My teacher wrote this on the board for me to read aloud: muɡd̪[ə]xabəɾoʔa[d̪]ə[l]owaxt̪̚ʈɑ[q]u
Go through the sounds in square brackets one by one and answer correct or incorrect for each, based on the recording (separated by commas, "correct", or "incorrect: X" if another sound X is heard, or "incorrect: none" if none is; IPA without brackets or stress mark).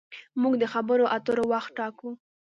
correct, incorrect: t̪, incorrect: ɾ, incorrect: k